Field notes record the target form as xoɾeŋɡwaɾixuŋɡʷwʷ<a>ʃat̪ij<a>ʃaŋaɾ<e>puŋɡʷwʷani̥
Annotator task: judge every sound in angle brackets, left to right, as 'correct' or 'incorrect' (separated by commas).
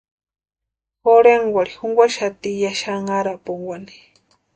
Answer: correct, correct, incorrect